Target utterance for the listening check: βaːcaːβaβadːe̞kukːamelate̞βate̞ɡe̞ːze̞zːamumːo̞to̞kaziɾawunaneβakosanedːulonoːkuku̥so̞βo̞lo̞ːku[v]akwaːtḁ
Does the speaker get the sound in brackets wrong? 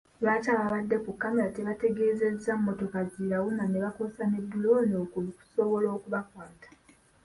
yes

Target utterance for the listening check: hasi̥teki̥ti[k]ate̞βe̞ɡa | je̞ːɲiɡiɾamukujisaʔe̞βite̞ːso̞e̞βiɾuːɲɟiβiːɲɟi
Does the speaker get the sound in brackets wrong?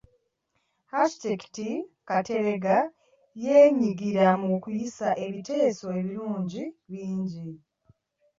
no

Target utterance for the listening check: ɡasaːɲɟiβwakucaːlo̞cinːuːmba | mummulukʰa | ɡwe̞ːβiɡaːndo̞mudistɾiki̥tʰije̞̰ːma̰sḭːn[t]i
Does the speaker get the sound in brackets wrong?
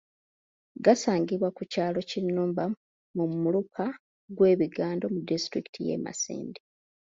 yes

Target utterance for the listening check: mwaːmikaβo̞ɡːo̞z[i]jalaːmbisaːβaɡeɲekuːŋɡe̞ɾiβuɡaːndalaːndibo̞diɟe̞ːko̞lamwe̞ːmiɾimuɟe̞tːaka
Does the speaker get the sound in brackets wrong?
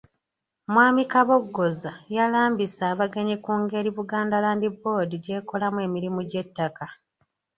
yes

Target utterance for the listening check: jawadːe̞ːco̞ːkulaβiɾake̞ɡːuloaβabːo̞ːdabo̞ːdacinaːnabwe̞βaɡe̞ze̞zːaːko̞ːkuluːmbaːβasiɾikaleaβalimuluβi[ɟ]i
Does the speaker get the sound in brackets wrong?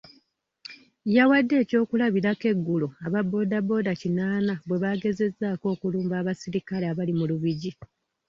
no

